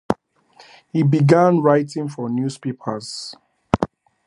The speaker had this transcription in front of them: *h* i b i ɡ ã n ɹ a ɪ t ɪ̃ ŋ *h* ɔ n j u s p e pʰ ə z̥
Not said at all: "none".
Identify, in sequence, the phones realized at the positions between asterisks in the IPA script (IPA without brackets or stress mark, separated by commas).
h, f